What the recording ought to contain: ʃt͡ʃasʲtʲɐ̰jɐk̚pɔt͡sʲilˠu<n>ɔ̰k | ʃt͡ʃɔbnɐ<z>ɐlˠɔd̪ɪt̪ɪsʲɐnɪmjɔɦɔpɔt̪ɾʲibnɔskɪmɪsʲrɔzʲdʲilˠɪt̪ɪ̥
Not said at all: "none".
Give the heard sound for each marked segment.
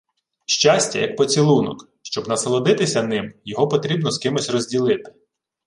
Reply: n, s

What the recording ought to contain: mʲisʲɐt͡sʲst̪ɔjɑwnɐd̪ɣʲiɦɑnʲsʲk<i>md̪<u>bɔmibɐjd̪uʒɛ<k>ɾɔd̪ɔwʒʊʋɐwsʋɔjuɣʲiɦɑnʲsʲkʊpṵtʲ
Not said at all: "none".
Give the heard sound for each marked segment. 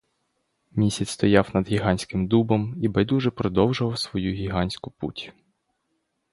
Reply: ɪ, u, p

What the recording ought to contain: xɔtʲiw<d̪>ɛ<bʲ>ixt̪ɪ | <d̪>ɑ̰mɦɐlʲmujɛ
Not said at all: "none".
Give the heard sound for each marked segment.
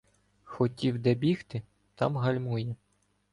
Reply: d̪, bʲ, t̪

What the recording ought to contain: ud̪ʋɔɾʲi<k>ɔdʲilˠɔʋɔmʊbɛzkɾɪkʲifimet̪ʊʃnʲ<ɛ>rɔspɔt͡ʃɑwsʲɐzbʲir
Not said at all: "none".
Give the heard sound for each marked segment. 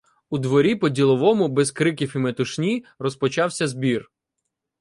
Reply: p, i

